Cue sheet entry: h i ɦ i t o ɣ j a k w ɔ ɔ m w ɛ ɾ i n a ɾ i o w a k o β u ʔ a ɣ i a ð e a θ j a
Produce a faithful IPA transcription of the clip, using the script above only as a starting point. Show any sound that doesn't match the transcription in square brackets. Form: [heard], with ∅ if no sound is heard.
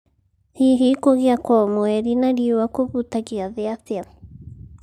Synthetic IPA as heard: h i ɦ i [k] o ɣ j a k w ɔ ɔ m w ɛ ɾ i n a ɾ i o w a k o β u [t] a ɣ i a ð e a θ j a